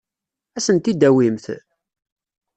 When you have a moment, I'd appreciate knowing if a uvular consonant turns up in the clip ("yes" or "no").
no